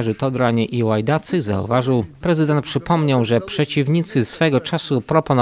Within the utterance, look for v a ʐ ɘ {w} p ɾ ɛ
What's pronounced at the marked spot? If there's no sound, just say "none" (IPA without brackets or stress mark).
w